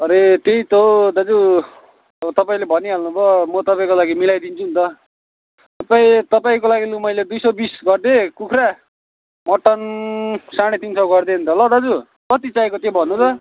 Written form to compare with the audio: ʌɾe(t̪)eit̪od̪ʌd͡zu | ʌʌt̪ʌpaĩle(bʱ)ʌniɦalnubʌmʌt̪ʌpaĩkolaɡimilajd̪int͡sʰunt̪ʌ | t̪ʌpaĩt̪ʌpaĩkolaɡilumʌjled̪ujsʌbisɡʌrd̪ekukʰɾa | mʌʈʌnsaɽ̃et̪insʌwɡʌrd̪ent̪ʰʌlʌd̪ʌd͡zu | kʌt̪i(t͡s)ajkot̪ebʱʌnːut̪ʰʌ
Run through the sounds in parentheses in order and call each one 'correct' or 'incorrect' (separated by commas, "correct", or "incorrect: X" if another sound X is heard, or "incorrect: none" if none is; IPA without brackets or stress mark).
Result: correct, correct, correct